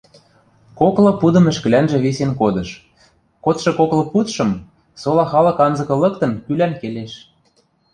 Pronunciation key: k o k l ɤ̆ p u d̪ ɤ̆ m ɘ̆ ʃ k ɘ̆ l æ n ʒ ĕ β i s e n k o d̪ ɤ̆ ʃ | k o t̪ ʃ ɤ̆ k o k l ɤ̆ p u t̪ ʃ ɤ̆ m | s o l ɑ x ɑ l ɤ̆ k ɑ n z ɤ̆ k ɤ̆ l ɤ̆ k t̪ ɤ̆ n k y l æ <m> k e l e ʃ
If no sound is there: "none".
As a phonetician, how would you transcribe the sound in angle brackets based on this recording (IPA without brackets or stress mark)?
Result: n